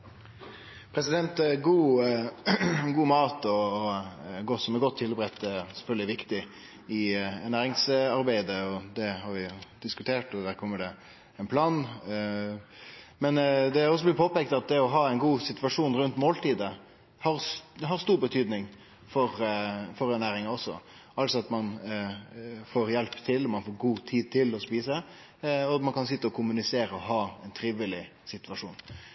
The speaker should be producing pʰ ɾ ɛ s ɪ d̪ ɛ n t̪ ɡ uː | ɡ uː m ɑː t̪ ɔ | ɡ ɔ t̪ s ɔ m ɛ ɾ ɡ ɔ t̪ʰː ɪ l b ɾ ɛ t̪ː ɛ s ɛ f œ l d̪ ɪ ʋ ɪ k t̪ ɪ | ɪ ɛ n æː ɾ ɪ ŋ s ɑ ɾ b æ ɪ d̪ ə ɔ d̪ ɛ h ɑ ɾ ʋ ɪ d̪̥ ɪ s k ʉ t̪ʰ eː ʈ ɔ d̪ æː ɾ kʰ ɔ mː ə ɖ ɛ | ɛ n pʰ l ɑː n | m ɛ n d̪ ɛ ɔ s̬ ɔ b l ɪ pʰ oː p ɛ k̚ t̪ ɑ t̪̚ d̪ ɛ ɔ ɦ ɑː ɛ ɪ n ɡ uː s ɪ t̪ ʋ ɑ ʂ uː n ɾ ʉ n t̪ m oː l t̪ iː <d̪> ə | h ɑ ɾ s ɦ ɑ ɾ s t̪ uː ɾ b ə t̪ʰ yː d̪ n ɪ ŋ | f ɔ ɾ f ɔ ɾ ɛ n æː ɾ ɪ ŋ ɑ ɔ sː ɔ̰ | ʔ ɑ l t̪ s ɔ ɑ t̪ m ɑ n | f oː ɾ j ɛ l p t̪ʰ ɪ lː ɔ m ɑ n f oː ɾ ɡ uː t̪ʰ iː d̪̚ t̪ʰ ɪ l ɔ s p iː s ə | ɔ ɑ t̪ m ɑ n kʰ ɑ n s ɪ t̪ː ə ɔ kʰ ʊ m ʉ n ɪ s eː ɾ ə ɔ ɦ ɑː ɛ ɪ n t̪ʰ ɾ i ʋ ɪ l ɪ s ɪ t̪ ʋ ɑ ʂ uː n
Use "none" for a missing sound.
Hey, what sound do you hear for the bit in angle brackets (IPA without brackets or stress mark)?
d̪